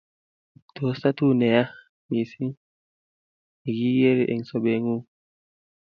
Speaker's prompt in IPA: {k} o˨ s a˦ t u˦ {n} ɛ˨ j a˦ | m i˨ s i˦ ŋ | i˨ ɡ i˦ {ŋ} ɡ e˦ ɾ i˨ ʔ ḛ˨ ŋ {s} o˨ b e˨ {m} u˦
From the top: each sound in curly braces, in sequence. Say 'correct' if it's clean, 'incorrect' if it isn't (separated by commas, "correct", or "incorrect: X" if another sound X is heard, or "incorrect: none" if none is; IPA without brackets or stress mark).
incorrect: t, correct, incorrect: none, correct, incorrect: ŋ